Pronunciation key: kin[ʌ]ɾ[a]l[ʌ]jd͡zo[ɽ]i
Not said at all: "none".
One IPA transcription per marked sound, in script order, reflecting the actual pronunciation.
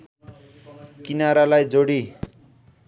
a, a, a, ɽ

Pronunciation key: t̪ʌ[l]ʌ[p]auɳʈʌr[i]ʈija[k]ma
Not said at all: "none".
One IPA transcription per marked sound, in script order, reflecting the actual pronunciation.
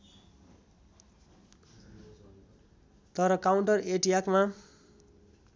ɾ, k, e, k

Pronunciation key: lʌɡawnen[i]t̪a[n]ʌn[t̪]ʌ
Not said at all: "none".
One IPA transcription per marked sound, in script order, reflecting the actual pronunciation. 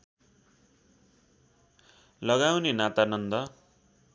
a, n, d̪

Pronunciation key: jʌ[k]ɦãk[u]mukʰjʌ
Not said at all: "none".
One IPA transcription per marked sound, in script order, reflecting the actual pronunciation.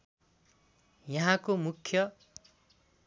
none, o

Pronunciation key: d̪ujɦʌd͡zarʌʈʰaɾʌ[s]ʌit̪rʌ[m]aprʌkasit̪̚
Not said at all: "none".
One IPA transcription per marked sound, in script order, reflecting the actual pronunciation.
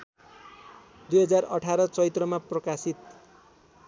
t͡s, m

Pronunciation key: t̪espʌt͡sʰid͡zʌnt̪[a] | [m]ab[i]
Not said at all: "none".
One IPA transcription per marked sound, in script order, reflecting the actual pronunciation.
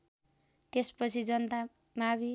a, m, i

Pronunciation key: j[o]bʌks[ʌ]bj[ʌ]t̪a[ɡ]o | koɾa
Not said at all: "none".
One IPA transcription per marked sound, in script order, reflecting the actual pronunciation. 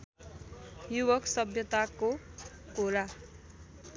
u, ʌ, ʌ, k

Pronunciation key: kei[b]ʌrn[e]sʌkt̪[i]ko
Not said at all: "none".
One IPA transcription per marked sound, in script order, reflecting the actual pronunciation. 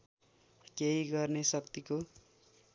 ɡ, e, i

